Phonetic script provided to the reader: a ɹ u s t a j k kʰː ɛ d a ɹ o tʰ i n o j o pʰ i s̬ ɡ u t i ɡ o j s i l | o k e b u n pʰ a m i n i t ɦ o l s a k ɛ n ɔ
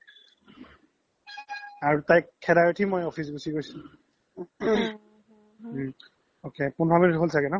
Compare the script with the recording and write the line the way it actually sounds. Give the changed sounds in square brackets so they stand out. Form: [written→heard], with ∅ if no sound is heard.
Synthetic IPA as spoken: a ɹ u [s→∅] t a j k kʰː ɛ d a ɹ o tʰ i [n→m] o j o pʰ i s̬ ɡ u [t→s] i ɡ o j s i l | o k e [b→p] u n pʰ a m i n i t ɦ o l s a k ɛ n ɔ